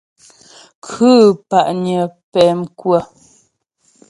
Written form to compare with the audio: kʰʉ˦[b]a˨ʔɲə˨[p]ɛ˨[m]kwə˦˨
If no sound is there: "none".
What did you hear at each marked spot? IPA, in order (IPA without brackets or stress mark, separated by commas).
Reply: p, p, m